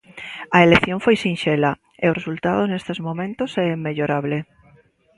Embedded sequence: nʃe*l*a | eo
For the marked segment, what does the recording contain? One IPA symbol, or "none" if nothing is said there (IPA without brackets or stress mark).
l